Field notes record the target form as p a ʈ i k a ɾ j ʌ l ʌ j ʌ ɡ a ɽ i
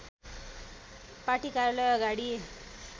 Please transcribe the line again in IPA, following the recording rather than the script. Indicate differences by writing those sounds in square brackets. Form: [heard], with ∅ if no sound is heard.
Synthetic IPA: p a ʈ i k a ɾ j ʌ l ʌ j ʌ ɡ a ɽ i